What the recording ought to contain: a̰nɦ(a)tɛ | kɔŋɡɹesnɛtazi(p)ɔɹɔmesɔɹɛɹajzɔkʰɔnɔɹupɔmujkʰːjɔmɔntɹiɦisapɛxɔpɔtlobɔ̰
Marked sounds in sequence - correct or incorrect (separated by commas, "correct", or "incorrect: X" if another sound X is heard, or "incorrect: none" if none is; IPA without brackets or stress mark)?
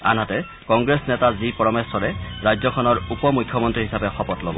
correct, correct